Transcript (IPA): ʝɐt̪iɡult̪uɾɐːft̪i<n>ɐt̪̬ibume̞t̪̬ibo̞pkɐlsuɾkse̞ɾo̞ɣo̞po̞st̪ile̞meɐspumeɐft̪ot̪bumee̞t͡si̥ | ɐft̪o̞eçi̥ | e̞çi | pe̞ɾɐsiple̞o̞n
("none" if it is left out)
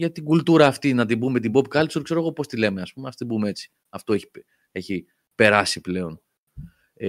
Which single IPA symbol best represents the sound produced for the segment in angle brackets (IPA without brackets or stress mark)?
n